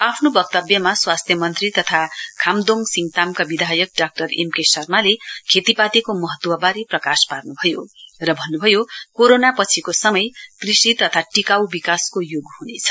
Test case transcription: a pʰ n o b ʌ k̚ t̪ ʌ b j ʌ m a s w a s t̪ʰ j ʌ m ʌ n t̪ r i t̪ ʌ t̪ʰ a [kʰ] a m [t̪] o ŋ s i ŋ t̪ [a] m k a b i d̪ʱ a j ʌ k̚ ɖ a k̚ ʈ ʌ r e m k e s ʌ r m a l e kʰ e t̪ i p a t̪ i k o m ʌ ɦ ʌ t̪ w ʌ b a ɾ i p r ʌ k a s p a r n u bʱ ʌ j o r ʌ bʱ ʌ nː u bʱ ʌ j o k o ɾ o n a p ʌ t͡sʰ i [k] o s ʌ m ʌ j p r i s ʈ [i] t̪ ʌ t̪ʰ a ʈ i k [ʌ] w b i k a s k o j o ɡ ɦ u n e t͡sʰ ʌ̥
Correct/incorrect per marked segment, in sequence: correct, incorrect: d̪, correct, correct, correct, incorrect: a

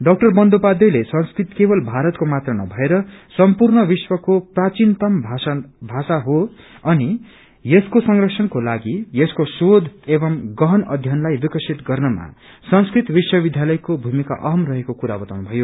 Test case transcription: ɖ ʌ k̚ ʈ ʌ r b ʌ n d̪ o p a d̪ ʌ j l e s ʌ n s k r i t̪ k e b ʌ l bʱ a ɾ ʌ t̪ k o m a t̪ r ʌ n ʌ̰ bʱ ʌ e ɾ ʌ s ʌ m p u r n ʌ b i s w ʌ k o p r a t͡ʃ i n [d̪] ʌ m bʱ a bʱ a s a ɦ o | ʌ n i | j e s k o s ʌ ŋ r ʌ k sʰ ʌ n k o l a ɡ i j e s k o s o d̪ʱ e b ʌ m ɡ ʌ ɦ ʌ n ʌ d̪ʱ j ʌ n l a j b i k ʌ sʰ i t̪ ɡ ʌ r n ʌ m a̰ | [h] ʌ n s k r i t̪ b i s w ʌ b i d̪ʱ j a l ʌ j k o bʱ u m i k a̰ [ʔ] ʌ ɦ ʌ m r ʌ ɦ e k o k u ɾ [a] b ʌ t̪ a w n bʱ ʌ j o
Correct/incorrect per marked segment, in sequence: incorrect: t̪, incorrect: s, correct, correct

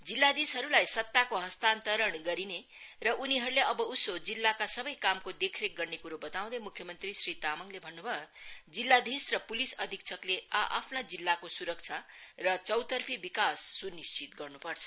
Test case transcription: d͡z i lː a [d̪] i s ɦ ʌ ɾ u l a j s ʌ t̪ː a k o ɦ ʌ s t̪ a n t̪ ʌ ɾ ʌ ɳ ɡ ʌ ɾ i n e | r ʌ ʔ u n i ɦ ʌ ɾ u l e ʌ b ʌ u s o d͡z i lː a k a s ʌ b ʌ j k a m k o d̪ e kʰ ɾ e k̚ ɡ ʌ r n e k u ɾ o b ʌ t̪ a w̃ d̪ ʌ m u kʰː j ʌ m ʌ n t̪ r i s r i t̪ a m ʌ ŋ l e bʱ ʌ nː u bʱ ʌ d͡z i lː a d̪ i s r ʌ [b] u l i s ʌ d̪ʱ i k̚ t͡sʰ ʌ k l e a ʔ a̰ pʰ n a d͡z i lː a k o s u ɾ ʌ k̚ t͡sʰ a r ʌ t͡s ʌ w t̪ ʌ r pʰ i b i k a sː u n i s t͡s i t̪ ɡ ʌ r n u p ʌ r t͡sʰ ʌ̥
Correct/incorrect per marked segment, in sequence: correct, incorrect: p

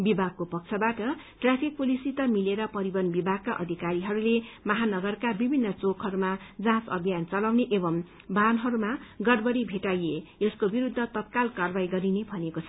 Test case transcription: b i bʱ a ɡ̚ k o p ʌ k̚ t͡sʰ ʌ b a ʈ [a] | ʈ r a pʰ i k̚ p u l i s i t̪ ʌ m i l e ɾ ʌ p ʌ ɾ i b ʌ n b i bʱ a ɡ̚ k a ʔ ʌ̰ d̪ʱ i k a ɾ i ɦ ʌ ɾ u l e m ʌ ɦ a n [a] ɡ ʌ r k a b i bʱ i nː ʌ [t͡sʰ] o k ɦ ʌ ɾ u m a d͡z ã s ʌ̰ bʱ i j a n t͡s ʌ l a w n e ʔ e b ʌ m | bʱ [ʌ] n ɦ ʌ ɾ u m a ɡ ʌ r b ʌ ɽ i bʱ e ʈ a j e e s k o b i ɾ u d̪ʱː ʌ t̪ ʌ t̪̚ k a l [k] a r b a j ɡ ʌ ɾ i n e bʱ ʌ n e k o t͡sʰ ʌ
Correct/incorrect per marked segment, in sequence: incorrect: ʌ, incorrect: ʌ, incorrect: t͡s, incorrect: a, correct

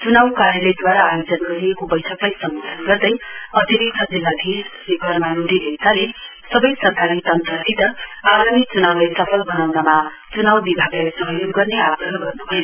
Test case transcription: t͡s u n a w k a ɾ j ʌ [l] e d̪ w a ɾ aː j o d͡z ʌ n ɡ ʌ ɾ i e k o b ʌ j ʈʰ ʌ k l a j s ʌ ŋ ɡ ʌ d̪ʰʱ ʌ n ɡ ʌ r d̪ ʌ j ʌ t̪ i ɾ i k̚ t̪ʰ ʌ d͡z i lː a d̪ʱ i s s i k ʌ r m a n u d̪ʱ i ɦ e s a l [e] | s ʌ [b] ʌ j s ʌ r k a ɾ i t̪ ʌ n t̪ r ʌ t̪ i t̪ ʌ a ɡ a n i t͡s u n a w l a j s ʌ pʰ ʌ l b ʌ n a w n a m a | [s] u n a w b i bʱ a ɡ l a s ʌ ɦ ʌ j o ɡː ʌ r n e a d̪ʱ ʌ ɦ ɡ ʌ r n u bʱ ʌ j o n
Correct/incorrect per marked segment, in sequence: correct, correct, correct, incorrect: t͡s

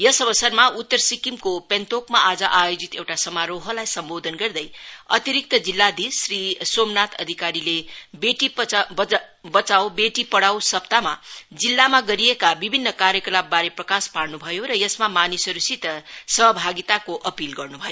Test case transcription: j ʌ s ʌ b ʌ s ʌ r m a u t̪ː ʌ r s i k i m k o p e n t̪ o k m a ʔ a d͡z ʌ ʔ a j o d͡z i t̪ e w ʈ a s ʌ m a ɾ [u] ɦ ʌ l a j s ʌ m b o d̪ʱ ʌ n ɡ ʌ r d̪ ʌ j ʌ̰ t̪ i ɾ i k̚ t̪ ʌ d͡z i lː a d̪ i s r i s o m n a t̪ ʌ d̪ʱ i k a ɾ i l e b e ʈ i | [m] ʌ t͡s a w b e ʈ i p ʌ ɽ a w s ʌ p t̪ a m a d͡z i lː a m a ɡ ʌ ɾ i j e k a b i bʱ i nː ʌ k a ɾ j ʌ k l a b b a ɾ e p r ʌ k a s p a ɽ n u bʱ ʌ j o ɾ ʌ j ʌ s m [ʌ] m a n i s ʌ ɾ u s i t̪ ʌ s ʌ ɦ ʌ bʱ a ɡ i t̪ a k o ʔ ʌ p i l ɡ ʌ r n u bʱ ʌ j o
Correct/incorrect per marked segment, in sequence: incorrect: o, incorrect: b, incorrect: a

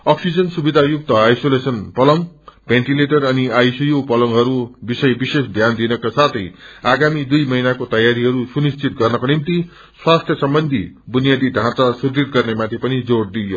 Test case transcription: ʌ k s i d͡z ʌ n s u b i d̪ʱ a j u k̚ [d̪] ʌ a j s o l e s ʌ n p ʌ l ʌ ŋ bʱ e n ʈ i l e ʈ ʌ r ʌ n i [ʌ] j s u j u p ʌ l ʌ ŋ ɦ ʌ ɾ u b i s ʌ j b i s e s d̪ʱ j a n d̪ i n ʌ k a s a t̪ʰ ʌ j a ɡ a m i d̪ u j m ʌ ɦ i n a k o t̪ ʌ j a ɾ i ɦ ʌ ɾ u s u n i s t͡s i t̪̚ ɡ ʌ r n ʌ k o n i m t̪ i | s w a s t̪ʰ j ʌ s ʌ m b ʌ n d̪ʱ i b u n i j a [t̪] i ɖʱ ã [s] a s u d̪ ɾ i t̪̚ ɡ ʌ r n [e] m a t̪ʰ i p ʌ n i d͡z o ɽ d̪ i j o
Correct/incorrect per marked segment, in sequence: incorrect: t̪, incorrect: a, incorrect: d̪, incorrect: t͡s, correct

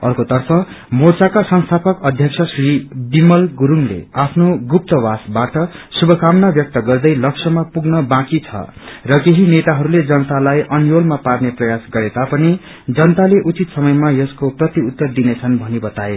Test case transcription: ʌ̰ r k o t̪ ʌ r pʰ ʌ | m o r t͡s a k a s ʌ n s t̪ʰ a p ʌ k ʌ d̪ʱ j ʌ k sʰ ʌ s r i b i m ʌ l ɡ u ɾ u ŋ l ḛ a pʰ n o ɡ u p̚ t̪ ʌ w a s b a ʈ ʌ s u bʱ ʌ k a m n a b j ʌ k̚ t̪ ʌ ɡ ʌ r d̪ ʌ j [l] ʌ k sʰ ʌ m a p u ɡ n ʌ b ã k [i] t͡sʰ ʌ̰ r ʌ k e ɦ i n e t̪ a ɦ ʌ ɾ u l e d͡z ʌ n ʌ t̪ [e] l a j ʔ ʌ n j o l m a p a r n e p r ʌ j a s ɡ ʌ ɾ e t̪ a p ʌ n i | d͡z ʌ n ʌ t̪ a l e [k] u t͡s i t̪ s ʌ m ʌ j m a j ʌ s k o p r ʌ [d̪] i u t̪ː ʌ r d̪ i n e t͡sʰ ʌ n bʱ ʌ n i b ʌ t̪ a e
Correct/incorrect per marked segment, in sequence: correct, correct, incorrect: a, incorrect: ʔ, incorrect: t̪

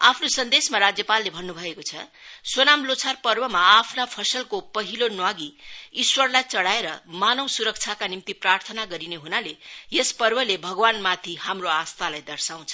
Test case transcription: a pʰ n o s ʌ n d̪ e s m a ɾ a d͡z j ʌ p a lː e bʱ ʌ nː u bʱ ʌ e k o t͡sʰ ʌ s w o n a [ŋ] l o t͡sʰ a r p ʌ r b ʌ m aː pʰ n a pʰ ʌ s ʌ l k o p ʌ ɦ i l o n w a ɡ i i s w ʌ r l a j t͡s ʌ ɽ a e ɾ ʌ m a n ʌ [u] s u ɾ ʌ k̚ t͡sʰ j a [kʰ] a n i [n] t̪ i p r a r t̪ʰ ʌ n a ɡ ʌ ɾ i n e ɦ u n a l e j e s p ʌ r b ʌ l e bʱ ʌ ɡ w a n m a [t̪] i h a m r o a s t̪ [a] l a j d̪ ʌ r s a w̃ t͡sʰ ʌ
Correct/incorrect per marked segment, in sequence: incorrect: m, incorrect: w, incorrect: k, incorrect: m, incorrect: t̪ʰ, correct

